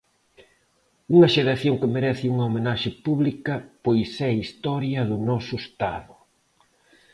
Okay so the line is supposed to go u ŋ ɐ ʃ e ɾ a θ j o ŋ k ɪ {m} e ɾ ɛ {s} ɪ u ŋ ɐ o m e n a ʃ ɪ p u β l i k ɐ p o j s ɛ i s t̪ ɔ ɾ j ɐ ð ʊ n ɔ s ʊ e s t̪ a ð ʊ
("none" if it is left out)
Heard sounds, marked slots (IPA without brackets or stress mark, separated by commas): m, θ